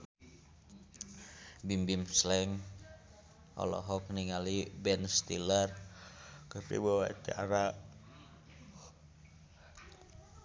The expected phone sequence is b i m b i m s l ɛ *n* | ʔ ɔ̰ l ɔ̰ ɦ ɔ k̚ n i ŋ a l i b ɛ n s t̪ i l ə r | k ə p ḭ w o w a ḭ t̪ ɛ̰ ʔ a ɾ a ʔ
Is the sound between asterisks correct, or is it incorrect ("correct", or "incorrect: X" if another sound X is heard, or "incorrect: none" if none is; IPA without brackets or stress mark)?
incorrect: ŋ